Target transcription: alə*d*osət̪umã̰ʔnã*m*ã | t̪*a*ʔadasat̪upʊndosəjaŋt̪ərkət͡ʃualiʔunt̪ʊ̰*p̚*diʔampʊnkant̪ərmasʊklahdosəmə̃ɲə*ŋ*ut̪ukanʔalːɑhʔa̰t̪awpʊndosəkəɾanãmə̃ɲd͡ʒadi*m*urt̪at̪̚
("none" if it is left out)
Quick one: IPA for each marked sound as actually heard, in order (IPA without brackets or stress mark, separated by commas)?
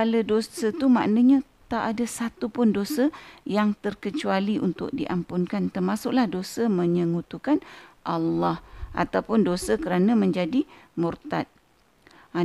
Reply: d, ɲ, a, k̚, ŋ, m